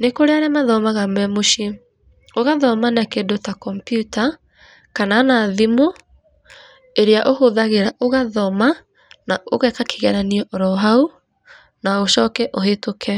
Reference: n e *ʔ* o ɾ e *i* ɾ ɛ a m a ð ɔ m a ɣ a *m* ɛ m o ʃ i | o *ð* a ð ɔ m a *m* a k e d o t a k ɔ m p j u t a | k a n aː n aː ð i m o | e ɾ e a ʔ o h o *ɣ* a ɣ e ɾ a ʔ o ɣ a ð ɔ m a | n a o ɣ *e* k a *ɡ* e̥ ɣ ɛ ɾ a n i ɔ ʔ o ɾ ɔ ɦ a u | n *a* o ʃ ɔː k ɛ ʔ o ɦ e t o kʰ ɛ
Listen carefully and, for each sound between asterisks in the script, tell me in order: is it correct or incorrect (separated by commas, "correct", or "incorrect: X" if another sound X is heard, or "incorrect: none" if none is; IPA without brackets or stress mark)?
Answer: incorrect: k, incorrect: a, correct, incorrect: ɣ, incorrect: n, incorrect: ð, incorrect: ɛ, incorrect: k, correct